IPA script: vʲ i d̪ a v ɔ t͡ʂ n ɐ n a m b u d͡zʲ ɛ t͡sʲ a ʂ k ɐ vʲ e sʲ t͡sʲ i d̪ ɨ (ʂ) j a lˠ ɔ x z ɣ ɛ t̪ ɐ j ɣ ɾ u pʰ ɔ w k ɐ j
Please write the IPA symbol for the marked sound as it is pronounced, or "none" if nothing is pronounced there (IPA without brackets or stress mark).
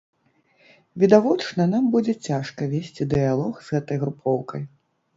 none